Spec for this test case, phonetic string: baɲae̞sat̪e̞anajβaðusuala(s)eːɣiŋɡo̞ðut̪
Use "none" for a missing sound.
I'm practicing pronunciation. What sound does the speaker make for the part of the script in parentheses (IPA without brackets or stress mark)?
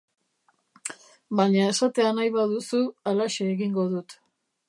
ʃ